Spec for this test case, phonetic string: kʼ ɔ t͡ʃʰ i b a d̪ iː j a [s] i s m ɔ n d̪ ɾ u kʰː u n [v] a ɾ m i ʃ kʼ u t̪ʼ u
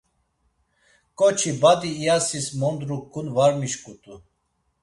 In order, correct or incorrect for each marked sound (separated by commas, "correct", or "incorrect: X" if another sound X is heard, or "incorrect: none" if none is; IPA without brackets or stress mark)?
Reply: correct, correct